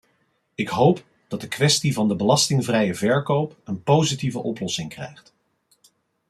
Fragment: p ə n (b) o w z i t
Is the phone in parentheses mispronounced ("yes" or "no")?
yes